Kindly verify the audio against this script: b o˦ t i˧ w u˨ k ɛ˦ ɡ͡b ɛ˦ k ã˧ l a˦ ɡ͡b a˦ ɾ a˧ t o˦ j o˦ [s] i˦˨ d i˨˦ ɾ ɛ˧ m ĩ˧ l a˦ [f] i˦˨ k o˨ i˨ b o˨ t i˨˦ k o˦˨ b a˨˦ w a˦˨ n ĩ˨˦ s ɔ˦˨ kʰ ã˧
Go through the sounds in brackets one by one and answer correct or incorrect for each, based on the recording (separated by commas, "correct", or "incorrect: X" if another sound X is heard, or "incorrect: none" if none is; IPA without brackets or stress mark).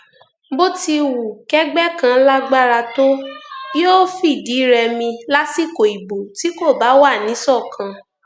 incorrect: f, incorrect: s